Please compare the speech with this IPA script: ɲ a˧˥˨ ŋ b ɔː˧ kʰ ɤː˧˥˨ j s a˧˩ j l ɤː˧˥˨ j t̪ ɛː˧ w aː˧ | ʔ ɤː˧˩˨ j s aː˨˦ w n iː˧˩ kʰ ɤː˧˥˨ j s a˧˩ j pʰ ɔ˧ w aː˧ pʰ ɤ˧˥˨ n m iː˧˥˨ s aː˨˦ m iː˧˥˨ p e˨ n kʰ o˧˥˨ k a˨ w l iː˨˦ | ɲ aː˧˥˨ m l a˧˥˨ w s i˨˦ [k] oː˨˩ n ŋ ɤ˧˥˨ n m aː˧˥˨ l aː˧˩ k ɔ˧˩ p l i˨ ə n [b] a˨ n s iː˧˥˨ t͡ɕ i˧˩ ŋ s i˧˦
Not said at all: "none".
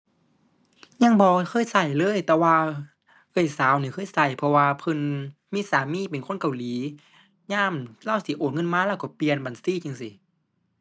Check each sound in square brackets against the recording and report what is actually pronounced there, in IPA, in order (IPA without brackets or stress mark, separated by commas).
ʔ, b